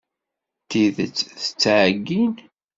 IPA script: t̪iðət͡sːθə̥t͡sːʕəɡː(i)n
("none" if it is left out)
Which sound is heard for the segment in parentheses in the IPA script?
i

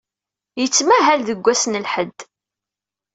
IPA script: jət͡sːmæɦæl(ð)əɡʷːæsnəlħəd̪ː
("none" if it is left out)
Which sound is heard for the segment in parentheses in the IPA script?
ð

